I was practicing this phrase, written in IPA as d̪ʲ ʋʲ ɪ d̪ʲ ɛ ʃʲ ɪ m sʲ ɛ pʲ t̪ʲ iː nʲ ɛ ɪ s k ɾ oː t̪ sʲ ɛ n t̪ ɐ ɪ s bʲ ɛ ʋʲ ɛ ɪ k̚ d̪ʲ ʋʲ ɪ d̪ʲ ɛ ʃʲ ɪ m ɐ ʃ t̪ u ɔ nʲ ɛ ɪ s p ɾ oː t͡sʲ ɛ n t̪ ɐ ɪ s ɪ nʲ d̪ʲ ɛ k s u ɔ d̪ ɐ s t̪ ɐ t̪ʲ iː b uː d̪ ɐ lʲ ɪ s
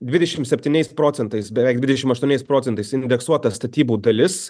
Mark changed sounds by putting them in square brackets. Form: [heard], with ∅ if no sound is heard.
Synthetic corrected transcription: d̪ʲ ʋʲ ɪ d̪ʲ ɛ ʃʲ ɪ m sʲ ɛ pʲ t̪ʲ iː nʲ ɛ ɪ s [p] ɾ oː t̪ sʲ ɛ n t̪ ɐ ɪ s bʲ ɛ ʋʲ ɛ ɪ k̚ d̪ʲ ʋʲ ɪ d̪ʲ ɛ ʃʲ ɪ m ɐ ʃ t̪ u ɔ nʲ ɛ ɪ s p ɾ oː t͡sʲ ɛ n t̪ ɐ ɪ s ɪ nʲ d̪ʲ ɛ k s u ɔ [t̪] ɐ s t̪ ɐ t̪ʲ iː b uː d̪ ɐ lʲ ɪ s